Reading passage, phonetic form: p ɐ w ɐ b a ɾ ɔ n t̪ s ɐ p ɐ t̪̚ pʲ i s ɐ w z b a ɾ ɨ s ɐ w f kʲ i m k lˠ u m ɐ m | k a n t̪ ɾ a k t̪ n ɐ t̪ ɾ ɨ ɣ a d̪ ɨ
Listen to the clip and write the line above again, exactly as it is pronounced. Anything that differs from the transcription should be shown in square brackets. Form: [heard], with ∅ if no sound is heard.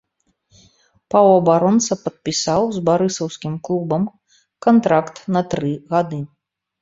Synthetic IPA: p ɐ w ɐ b a ɾ ɔ n t̪ s ɐ p ɐ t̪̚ pʲ i s [a] w z b a ɾ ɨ s ɐ w [s] kʲ i m k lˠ u [b] ɐ m | k a n t̪ ɾ a k t̪ n ɐ t̪ ɾ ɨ ɣ a d̪ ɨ